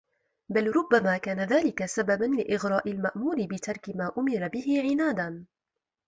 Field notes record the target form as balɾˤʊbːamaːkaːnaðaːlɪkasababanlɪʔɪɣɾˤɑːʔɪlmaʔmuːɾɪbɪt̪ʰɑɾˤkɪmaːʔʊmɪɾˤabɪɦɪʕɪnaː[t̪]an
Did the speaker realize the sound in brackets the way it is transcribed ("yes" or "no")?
no